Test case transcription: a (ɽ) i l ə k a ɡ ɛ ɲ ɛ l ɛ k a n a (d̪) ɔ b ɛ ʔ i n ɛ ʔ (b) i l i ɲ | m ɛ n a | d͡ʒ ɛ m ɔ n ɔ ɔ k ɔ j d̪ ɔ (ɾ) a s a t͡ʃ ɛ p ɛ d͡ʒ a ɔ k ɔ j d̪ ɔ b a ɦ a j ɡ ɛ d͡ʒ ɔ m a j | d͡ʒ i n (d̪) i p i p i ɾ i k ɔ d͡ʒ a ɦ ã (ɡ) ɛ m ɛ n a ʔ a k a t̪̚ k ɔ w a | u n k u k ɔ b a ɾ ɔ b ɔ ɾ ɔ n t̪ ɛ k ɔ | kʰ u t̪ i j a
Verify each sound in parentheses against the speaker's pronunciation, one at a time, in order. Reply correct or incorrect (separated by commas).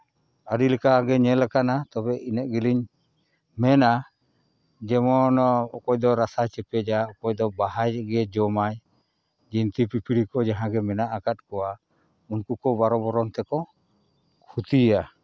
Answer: incorrect, incorrect, incorrect, correct, incorrect, correct